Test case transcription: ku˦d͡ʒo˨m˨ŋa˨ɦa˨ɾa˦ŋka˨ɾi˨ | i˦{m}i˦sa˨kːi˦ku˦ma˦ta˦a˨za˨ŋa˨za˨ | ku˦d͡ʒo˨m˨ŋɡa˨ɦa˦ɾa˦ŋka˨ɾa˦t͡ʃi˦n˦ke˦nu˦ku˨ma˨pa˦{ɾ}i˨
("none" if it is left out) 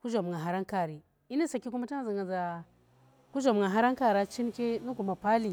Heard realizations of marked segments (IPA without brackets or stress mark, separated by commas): n, l